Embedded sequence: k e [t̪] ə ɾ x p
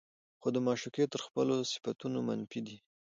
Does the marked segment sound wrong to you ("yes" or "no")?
no